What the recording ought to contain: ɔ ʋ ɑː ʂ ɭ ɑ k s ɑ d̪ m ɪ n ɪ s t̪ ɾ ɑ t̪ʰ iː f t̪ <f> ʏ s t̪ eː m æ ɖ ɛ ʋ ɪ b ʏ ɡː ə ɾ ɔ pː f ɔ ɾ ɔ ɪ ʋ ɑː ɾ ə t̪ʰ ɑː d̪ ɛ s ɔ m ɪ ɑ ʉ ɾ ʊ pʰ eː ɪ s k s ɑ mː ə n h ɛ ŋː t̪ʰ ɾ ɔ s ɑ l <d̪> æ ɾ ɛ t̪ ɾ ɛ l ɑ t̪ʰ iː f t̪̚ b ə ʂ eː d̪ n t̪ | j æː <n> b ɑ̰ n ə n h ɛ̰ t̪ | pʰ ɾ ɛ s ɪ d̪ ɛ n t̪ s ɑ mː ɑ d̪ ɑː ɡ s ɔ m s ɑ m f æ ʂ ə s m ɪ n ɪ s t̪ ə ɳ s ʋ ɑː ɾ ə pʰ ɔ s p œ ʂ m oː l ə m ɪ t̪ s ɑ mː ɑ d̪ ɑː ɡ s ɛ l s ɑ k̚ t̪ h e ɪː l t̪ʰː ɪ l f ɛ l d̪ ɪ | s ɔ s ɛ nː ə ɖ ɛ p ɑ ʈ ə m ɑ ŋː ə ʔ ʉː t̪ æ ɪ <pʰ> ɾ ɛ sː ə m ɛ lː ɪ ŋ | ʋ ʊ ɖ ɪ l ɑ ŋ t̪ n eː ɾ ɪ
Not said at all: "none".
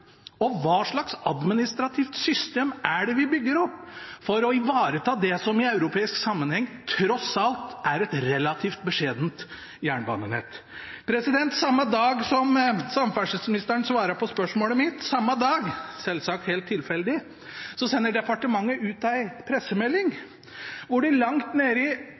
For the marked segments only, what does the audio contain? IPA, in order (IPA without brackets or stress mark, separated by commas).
s, t̪, ɳ, pʰ